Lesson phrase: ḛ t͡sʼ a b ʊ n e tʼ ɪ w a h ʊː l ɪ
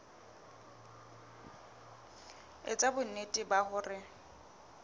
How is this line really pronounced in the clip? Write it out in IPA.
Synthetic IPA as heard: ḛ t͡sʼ a b ʊ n e tʼ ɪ b a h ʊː r ɪ